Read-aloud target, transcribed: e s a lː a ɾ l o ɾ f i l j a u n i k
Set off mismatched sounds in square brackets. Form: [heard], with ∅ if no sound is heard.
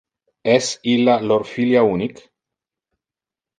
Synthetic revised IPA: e s [i] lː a [∅] l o ɾ f i l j a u n i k